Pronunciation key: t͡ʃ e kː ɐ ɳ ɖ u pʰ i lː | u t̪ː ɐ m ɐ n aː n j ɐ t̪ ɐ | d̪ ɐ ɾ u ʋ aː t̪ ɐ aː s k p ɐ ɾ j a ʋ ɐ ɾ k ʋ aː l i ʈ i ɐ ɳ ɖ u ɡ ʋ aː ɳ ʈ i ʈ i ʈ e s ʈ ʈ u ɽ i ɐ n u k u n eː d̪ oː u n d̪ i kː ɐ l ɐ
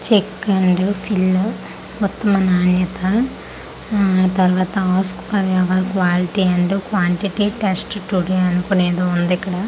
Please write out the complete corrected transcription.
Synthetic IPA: t͡ʃ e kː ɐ ɳ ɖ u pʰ i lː | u t̪ː ɐ m ɐ n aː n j ɐ t̪ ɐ | t̪ ɐ ɾ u ʋ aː t̪ ɐ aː s k p ɐ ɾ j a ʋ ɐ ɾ k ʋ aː l i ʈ i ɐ ɳ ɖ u k ʋ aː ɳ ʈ i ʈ i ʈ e s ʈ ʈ u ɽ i ɐ n u k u n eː d̪ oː u n d̪ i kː ɐ ɽ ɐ